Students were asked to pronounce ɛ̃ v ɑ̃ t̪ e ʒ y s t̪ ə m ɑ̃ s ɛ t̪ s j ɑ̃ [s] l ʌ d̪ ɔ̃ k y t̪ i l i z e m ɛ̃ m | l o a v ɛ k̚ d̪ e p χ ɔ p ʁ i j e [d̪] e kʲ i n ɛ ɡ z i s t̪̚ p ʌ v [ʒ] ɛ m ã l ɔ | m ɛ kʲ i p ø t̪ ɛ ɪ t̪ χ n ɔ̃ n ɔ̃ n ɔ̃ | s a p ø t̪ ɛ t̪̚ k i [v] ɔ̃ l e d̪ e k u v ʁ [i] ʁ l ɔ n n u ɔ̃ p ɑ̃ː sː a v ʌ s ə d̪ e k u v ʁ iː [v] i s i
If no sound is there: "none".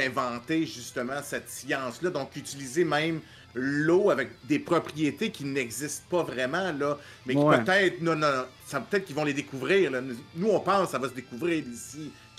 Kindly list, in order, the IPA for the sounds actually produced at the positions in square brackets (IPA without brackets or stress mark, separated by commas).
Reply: s, t̪, ʁ, v, iː, ʁ